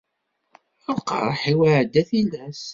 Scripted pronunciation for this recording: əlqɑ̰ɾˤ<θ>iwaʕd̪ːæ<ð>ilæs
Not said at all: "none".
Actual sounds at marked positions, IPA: ħ, θ

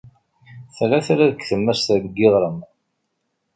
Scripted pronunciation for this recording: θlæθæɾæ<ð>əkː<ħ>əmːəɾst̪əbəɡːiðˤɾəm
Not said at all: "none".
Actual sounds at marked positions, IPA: ð, θ

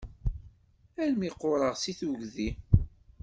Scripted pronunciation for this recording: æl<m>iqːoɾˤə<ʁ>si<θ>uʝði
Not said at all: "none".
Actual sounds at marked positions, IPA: m, ʁ, θ

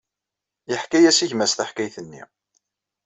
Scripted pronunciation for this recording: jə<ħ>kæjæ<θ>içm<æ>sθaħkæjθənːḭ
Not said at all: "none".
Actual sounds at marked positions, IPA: ħ, s, æ

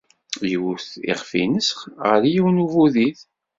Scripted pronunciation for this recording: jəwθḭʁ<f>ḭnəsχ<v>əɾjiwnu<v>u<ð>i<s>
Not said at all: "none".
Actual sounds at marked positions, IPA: f, ʁ, v, ð, θ

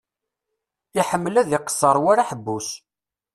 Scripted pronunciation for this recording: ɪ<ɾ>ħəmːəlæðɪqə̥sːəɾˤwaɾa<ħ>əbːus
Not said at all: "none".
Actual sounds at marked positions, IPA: none, ħ

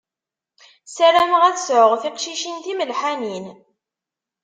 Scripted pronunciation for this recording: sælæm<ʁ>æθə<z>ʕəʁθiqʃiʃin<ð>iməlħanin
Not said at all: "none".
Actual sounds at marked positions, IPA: ʁ, s, θ

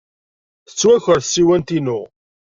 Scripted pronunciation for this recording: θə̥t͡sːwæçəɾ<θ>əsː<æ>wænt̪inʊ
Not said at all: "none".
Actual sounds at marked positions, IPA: θ, i

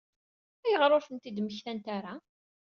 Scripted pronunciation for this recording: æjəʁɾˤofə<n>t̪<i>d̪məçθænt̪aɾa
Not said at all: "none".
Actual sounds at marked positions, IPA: n, i

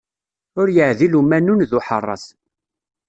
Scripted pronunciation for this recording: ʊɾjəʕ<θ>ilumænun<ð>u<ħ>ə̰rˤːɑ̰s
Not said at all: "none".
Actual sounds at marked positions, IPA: ð, ð, ħ

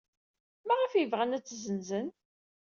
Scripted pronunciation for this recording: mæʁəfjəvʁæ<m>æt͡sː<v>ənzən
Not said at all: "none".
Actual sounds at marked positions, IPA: n, z

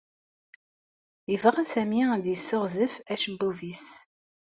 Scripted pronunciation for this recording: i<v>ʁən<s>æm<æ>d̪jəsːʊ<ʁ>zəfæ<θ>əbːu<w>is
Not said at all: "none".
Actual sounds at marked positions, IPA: v, s, i, ʁ, ʃ, v

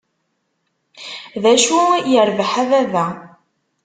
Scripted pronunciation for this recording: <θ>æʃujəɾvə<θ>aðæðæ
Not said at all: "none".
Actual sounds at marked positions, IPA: ð, ħ

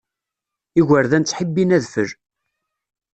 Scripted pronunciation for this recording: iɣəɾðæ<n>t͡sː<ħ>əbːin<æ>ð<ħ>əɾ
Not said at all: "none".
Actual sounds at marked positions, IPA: n, ħ, æ, f

